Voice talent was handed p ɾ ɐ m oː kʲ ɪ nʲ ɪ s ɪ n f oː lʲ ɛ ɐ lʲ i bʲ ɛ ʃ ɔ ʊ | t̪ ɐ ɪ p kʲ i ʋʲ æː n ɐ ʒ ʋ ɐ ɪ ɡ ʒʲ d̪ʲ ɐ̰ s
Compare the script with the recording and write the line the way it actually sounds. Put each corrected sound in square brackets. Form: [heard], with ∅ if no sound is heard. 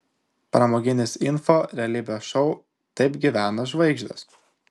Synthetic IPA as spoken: p ɾ ɐ m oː [ɡʲ] ɪ nʲ ɪ s ɪ n f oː [ɾʲ] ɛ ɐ lʲ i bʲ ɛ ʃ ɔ ʊ | t̪ ɐ ɪ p [ɡʲ] i ʋʲ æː n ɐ ʒ ʋ ɐ ɪ ɡ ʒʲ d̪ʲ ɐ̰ s

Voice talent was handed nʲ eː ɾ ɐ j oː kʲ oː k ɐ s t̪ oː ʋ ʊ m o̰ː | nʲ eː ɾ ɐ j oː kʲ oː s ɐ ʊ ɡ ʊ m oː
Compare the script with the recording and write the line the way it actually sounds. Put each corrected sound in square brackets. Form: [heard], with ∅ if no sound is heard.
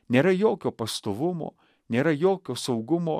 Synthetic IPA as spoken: nʲ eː ɾ ɐ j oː kʲ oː [p] ɐ s t̪ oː ʋ ʊ m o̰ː | nʲ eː ɾ ɐ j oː kʲ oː s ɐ ʊ ɡ ʊ m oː

